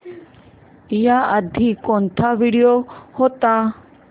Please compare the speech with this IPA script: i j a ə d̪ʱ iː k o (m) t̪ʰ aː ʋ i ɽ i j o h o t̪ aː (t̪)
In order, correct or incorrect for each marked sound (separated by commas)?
incorrect, incorrect